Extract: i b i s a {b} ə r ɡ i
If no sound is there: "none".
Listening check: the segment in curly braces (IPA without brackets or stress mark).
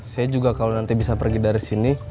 p